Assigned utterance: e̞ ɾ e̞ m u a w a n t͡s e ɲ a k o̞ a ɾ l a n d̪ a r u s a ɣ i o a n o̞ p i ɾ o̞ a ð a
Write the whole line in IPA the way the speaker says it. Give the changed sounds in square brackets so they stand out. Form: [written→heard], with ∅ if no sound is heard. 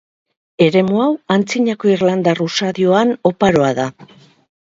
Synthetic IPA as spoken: e̞ ɾ e̞ m u a w a n t͡s [e→i] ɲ a k o̞ [a→i] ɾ l a n d̪ a r u s a [ɣ→ð] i o a n o̞ p [i→a] ɾ o̞ a ð a